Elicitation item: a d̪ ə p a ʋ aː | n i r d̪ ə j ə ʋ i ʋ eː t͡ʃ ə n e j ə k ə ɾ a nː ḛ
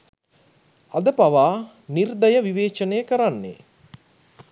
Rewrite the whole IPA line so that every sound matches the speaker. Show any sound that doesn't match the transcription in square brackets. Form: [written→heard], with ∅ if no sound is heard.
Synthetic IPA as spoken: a d̪ ə p a ʋ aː | n i r d̪ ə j ə ʋ i ʋ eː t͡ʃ ə n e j ə k ə ɾ a nː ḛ